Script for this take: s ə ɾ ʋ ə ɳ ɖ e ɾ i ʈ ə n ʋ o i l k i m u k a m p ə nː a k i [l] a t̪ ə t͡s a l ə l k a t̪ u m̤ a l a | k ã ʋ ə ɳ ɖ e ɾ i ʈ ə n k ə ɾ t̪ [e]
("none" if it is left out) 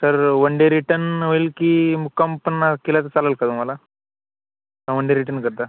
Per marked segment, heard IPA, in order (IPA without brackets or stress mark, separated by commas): l, a